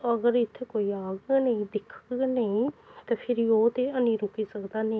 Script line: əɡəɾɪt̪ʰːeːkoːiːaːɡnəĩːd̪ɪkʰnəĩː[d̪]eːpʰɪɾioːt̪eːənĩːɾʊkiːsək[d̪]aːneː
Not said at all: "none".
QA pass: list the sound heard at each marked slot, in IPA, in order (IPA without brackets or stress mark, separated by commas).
t̪, d̪